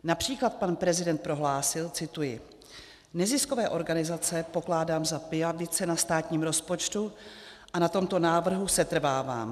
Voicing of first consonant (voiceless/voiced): voiced